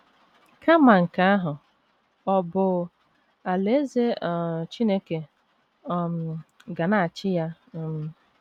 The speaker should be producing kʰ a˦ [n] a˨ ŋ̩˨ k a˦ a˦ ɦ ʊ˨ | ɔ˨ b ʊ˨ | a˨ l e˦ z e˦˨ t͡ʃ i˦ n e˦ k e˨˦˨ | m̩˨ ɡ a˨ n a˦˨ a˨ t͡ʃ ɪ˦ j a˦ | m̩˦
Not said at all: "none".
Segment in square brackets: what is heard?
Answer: m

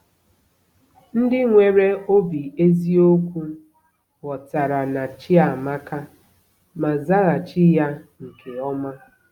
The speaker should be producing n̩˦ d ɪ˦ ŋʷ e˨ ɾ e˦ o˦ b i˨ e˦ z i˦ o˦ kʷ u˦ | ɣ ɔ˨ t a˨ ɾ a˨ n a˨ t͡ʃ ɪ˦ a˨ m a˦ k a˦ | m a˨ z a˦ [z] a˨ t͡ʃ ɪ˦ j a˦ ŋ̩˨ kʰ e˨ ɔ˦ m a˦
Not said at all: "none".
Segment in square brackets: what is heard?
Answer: ɣ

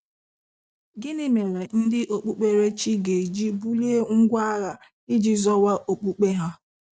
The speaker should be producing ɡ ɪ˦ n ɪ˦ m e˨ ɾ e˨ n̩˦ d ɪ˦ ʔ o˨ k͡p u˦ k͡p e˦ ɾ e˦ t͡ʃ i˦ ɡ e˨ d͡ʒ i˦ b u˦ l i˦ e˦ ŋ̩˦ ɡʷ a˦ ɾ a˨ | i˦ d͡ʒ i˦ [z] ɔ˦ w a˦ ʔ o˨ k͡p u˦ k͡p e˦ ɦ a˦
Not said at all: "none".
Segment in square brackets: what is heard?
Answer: z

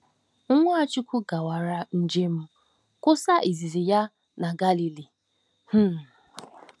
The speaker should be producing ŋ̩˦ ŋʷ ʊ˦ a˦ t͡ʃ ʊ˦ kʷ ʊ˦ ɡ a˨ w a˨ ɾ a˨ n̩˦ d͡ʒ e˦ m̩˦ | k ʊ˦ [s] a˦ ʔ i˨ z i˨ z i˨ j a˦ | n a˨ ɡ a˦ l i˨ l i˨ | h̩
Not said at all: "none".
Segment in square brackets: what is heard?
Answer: s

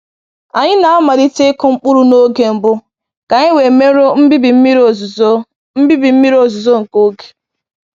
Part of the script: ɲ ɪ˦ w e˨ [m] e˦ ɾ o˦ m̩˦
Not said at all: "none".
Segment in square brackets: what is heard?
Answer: m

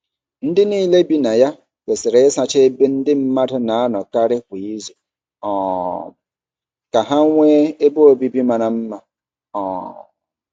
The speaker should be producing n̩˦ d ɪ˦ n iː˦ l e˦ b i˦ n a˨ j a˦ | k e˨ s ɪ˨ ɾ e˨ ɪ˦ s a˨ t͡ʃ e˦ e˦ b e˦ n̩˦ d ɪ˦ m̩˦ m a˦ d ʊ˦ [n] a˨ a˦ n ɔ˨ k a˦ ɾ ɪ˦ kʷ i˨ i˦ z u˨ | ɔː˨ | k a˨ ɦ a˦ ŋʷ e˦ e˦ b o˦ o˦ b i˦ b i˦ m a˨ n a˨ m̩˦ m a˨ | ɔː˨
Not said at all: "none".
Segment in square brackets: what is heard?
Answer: n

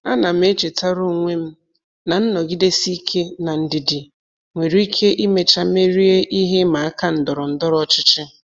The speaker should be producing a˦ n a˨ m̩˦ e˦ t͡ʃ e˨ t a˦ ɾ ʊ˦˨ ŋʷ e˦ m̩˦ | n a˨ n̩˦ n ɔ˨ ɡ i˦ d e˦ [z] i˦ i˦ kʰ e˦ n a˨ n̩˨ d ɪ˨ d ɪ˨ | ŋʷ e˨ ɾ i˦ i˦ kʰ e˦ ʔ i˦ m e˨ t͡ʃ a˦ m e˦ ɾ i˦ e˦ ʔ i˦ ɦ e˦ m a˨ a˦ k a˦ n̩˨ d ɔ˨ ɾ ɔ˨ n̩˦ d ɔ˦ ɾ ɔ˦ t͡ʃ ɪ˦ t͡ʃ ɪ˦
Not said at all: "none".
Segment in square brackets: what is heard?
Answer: s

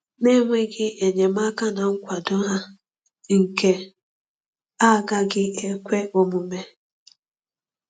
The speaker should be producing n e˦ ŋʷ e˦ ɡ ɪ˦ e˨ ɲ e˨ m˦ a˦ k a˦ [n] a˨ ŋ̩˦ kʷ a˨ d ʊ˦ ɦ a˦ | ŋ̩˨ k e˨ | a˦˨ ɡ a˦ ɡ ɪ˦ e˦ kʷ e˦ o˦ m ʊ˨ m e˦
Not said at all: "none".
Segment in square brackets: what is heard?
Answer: n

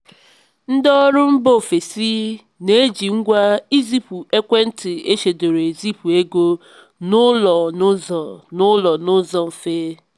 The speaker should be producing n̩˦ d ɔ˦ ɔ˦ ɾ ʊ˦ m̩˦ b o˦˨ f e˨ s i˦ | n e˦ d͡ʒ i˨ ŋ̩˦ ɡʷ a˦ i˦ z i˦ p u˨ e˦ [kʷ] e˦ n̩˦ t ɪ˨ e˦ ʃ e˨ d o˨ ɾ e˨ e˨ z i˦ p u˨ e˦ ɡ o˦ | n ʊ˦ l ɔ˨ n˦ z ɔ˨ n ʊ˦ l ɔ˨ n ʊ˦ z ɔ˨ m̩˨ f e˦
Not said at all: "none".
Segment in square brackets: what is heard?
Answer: kʷ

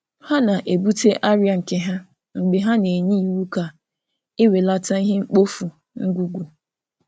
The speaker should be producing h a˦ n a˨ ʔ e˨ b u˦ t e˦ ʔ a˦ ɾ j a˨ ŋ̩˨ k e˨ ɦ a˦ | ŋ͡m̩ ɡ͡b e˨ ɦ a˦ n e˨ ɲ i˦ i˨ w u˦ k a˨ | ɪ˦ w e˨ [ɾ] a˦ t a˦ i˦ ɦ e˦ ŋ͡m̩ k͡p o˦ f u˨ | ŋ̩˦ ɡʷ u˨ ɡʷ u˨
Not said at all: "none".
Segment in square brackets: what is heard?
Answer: l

